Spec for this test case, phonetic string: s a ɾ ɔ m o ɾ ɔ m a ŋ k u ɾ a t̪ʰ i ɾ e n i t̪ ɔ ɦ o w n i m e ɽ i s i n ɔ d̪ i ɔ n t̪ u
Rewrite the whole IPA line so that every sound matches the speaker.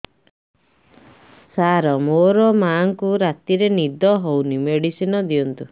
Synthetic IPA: s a ɾ ɔ m o ɾ ɔ m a ŋ k u ɾ a t̪ i ɾ e n i d̪ ɔ ɦ o w n i m e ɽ i s i n ɔ d̪ i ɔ n t̪ u